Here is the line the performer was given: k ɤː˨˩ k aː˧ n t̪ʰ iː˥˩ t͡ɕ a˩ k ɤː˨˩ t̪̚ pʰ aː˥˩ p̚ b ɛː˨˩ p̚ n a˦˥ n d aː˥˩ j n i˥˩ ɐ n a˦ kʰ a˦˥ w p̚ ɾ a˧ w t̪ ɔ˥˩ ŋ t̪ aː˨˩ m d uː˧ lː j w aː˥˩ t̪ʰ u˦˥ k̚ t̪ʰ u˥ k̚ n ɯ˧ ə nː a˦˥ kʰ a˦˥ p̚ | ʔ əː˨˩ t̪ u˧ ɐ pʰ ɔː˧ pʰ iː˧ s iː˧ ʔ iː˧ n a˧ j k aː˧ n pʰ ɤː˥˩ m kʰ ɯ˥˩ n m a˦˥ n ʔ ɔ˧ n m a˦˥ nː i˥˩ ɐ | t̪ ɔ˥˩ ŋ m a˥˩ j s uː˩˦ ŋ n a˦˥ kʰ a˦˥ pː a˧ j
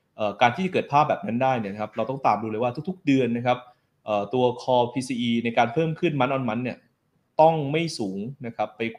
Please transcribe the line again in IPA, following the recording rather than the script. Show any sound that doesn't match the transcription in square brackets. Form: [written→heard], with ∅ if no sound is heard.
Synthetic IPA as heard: [k→ʔ] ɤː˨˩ k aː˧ n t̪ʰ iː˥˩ t͡ɕ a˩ k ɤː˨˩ t̪̚ pʰ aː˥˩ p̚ b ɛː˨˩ p̚ n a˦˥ n d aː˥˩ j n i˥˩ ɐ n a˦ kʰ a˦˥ [w→∅] p̚ ɾ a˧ w t̪ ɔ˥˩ ŋ t̪ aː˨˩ m d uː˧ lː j w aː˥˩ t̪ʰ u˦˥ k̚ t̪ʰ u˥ k̚ [n→d] ɯ˧ ə nː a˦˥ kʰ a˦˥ p̚ | ʔ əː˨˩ t̪ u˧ ɐ [pʰ→kʰ] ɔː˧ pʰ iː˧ s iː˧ ʔ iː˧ n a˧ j k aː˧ n pʰ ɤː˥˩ m kʰ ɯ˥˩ n m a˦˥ n ʔ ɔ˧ n m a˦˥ nː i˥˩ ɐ | t̪ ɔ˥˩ ŋ m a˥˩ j s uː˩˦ ŋ n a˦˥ kʰ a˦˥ pː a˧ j